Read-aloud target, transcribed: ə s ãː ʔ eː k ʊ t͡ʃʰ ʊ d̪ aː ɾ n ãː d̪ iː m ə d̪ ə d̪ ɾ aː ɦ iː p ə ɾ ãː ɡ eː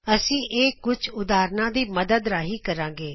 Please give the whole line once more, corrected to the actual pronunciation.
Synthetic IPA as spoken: ə s ĩː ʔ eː k ʊ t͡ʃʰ ʊ d̪ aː ɾ n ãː d̪ iː m ə d̪ ə d̪ ɾ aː ɦ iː k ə ɾ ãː ɡ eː